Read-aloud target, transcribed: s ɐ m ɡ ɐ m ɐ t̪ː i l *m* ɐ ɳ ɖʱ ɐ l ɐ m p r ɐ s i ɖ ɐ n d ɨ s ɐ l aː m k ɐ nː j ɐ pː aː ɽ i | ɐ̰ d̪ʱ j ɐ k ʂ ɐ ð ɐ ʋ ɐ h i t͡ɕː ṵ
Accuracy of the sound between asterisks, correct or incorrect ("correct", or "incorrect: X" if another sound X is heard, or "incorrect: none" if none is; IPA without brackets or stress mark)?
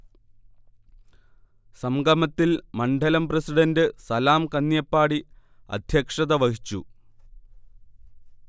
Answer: correct